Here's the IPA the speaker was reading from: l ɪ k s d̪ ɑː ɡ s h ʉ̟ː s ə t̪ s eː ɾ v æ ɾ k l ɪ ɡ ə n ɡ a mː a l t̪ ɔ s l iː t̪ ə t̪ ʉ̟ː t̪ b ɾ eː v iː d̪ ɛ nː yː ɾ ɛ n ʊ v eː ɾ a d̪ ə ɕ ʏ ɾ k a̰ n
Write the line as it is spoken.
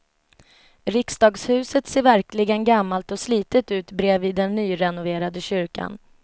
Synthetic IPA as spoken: ɾ ɪ k s d̪ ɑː ɡ s h ʉ̟ː s ə t̪ s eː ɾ v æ ɾ k l ɪ ɡ ə n ɡ a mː a l t̪ ɔ s l iː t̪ ə t̪ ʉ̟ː t̪ b ɾ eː v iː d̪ ɛ nː yː ɾ ɛ n ʊ v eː ɾ a d̪ ə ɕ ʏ ɾ k a̰ n